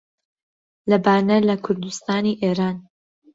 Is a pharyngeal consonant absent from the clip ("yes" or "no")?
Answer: yes